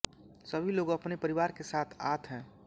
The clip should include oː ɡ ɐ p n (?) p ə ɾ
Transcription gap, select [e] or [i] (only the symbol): e